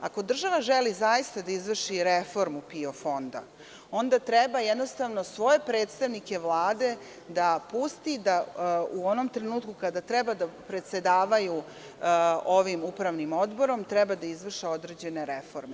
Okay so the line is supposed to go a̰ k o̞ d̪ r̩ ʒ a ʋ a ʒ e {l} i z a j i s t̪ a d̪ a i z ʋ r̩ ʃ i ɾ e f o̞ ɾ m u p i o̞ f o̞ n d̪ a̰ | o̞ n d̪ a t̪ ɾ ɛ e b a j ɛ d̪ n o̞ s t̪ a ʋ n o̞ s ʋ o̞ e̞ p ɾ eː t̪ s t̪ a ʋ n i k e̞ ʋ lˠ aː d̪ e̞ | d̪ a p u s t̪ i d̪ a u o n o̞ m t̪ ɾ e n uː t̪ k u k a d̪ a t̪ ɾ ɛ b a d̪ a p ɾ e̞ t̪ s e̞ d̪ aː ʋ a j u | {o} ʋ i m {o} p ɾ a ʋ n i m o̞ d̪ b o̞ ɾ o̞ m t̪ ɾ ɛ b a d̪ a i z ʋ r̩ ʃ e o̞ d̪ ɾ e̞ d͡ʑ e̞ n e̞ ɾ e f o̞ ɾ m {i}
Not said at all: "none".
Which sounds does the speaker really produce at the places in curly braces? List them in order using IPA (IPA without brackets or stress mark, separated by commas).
l, o, u, e